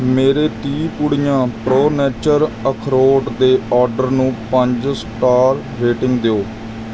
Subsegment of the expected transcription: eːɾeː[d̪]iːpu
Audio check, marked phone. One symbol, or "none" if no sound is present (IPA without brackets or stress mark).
t̪